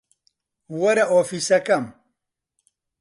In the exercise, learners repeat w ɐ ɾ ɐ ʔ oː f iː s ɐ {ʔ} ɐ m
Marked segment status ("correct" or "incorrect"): incorrect